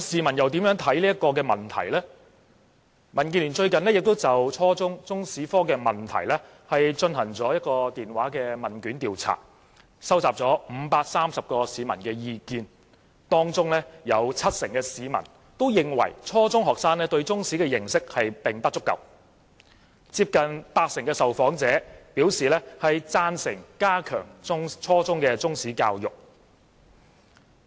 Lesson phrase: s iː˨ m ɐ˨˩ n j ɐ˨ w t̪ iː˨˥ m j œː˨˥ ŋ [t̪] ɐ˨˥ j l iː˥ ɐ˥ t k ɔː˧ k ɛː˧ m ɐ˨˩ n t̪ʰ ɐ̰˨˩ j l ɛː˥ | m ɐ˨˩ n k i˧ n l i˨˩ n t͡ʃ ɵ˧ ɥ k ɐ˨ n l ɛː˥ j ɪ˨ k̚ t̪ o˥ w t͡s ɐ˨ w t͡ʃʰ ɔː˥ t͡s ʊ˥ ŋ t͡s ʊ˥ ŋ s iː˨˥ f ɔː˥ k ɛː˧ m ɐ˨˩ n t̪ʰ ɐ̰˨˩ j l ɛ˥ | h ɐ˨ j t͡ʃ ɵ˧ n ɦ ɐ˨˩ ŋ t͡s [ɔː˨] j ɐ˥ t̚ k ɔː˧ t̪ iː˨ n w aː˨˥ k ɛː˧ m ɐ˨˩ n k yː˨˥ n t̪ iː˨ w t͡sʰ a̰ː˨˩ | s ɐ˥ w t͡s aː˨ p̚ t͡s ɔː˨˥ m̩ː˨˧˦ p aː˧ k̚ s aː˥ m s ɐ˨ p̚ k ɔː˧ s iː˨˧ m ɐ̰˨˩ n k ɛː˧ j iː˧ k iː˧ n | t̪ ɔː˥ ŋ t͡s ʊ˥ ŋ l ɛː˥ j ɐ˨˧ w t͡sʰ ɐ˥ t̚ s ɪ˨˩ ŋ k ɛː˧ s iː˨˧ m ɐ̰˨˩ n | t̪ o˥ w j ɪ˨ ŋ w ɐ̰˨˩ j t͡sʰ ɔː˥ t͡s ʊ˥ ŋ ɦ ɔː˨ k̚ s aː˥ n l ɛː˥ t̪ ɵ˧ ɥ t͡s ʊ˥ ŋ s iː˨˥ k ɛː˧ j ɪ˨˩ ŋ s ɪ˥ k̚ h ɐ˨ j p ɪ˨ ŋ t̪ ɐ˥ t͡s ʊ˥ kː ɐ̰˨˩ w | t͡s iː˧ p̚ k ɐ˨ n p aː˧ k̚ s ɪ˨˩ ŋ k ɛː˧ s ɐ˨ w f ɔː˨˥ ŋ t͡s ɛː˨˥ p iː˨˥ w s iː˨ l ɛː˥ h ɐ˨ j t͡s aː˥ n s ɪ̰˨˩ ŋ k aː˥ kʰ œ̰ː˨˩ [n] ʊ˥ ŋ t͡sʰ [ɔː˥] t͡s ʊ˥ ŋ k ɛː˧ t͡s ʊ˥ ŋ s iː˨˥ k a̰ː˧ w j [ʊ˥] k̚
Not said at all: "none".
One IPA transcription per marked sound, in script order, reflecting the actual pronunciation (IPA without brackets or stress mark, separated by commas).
t̪ʰ, ɔː˨˥, ŋ, ɔː˥, ʊ˨